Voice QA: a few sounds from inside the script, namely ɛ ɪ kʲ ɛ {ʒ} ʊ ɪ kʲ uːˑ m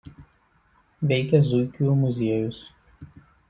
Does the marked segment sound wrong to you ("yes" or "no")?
yes